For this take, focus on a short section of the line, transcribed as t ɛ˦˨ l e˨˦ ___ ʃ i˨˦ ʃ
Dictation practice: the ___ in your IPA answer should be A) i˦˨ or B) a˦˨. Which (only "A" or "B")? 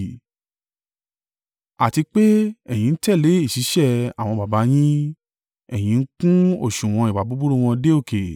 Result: A